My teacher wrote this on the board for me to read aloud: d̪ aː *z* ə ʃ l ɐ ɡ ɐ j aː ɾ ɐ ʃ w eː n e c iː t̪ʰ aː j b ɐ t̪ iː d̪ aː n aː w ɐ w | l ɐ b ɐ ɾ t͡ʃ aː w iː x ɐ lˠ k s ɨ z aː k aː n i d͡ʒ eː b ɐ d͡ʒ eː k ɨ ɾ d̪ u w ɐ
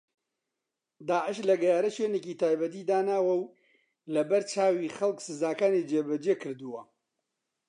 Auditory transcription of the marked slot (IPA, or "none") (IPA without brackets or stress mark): ʕ